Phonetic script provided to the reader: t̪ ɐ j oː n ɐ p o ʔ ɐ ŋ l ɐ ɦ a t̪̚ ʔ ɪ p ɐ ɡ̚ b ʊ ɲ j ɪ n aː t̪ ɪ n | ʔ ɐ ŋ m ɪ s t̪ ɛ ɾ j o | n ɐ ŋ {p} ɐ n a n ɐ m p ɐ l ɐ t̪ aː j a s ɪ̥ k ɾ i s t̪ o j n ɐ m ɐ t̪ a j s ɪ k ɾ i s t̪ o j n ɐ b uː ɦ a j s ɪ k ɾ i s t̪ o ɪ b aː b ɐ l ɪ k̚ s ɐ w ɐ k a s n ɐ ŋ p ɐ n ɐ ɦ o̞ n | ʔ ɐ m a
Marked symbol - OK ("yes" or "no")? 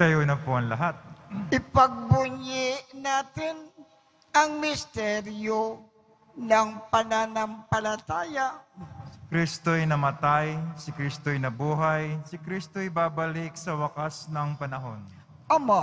yes